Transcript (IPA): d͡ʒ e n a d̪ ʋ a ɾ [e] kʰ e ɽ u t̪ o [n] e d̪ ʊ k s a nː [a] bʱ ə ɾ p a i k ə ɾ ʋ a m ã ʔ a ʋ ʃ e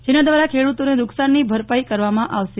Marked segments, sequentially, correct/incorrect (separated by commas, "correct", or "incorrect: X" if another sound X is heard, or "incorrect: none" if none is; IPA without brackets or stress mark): incorrect: a, correct, incorrect: i